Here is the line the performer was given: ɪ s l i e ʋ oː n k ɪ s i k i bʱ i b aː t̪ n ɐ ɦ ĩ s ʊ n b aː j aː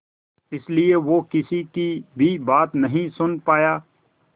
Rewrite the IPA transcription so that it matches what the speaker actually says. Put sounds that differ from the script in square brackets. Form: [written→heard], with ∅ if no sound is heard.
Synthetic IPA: ɪ s l i e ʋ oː [n→∅] k ɪ s i k i bʱ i b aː t̪ n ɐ ɦ ĩ s ʊ n [b→p] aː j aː